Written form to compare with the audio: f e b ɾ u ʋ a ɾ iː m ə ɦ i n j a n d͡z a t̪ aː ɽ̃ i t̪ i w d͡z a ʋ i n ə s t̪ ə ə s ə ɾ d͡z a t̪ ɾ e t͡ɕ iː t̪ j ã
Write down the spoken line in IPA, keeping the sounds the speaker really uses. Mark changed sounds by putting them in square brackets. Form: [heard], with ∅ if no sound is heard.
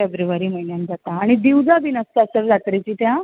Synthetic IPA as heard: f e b ɾ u ʋ a ɾ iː m ə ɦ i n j a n d͡z a t̪ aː ɽ̃ i [d̪] i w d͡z a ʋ i n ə s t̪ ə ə s ə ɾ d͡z a t̪ ɾ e t͡ɕ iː t̪ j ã